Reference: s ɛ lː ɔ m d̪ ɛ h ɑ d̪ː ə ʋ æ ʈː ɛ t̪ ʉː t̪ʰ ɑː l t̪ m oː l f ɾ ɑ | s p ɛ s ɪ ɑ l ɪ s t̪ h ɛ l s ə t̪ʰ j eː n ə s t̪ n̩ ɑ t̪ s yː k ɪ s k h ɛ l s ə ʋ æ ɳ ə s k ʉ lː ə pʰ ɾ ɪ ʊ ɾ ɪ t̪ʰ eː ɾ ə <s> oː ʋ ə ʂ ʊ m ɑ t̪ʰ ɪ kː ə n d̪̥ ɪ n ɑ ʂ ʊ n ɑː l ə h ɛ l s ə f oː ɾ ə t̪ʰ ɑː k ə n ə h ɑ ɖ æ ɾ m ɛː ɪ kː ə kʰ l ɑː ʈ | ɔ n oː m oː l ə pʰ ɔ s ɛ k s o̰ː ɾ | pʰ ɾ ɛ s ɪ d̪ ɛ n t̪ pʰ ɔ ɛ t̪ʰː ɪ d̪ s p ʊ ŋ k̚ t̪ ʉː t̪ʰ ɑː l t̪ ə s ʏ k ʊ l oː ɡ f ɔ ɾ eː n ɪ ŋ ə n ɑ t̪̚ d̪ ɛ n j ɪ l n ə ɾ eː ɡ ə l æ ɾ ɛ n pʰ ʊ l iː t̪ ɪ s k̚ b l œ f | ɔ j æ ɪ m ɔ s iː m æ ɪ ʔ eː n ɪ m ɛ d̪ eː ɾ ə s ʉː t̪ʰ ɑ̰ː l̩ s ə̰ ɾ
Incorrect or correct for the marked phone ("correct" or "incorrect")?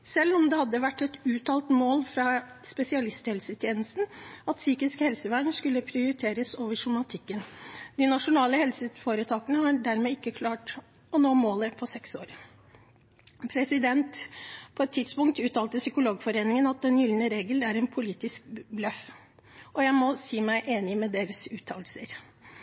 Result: correct